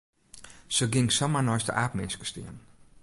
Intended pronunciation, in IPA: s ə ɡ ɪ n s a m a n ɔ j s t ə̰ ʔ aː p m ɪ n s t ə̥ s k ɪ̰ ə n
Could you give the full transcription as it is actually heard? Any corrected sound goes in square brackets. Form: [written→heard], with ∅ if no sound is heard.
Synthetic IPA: s ə ɡ ɪ [n→ŋ] s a m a n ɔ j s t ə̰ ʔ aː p m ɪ n s [t→k] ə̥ s [k→t] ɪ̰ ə n